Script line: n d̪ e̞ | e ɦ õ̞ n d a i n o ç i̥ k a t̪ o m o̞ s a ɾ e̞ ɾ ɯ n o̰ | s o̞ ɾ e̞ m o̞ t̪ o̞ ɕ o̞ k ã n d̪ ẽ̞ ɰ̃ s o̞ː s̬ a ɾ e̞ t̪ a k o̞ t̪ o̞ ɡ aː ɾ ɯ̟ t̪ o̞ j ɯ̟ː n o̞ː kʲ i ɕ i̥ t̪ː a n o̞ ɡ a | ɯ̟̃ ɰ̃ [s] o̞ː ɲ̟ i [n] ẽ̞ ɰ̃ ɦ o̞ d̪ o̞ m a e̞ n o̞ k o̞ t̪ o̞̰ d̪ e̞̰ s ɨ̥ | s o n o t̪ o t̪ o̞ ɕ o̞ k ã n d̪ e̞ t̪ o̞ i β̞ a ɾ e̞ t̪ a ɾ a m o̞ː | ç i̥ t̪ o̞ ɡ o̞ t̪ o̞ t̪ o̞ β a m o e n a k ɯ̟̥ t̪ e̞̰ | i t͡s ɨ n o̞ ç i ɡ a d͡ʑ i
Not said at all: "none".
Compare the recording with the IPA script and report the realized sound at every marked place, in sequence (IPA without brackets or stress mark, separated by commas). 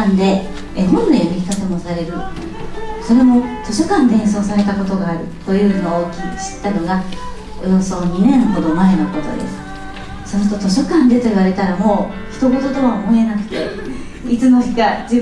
s, n